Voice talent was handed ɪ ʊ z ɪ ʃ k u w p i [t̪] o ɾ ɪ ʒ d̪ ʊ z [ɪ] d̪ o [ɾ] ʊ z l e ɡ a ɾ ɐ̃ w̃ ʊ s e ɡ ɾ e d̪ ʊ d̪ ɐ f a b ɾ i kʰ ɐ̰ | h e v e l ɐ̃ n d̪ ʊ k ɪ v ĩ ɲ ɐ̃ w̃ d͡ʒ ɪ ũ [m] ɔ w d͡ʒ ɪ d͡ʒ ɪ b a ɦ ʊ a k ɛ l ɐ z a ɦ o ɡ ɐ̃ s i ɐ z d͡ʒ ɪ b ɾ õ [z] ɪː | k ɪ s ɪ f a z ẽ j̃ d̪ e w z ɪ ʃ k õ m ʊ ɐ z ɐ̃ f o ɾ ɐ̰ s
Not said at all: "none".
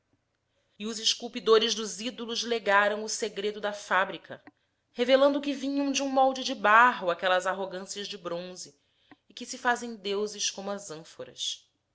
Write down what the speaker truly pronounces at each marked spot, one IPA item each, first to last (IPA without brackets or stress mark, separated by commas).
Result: d̪, i, l, m, z